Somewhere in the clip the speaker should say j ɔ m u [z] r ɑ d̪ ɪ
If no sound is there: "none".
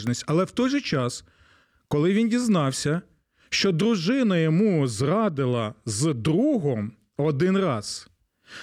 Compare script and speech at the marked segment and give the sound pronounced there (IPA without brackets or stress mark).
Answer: z